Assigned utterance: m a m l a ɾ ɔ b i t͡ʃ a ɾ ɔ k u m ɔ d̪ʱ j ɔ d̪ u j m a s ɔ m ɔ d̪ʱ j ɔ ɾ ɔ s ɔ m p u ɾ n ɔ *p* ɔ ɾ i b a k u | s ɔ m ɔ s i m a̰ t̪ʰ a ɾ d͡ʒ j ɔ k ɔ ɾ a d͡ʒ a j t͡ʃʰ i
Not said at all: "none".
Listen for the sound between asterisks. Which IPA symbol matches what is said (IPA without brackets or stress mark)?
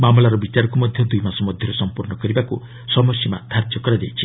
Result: k